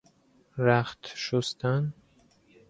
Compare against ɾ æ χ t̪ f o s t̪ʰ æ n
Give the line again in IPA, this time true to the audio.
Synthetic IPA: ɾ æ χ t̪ ʃ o s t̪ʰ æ n